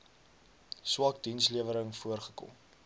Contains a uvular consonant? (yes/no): yes